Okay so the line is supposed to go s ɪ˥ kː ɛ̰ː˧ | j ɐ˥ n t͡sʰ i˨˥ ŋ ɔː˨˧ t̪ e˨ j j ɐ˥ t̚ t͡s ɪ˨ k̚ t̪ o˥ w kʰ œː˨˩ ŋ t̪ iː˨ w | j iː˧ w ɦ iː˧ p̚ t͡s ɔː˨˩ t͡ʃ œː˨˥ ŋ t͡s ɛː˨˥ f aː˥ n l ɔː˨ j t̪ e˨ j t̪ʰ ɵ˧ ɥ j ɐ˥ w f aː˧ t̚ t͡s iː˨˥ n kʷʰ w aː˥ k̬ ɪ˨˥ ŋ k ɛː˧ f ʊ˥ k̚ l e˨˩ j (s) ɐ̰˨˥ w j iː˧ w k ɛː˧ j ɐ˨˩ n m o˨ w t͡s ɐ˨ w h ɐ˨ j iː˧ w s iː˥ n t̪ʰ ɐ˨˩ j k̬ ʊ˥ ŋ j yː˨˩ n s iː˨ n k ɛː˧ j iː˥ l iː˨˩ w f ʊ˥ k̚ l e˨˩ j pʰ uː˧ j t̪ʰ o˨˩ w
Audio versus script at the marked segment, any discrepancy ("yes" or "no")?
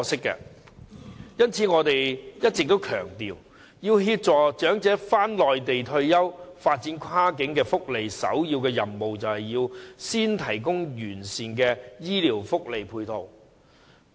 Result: no